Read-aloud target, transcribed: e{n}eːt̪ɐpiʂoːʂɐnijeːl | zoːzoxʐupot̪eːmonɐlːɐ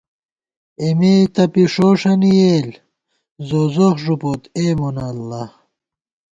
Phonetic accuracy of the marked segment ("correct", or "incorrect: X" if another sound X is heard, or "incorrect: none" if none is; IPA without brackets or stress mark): incorrect: m